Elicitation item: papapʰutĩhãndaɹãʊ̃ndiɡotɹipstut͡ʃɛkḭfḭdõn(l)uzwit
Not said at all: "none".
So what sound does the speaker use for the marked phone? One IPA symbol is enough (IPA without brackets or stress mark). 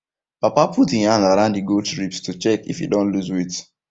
l